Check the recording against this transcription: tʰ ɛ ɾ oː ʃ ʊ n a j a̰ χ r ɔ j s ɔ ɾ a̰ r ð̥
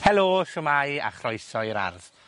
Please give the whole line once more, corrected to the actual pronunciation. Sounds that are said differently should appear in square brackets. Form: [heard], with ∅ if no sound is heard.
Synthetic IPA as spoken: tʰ ɛ [l] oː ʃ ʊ [m] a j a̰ χ r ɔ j s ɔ ɾ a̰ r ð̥